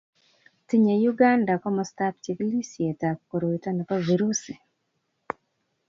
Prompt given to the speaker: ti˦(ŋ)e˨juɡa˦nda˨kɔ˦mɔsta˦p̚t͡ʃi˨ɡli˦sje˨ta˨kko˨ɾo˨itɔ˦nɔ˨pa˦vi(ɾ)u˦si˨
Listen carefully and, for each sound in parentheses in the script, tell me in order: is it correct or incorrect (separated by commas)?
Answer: incorrect, correct